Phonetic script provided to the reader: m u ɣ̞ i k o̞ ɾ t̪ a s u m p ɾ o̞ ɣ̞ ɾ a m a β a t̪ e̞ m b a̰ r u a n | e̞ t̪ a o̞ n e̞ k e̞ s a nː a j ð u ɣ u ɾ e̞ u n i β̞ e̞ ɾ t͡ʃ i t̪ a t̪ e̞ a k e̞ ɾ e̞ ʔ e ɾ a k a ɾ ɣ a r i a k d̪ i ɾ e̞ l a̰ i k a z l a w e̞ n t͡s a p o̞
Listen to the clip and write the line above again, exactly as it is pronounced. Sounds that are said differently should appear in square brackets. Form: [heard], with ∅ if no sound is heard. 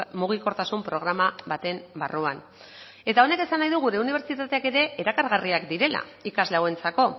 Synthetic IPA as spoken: m u ɣ̞ i k o̞ ɾ t̪ a s u m p ɾ o̞ ɣ̞ ɾ a m a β a t̪ e̞ m b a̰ r u a n | e̞ t̪ a o̞ n e̞ k e̞ s a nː a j ð u ɣ u ɾ e̞ u n i β̞ e̞ ɾ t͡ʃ i t̪ a t̪ e̞ a k e̞ ɾ e̞ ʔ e ɾ a k a ɾ ɣ a r i a k d̪ i ɾ e̞ l a̰ i k a z l a w e̞ n t͡s a [k] o̞